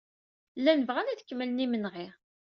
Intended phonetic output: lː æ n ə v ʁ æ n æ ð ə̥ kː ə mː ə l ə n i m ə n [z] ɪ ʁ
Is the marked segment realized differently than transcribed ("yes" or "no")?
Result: yes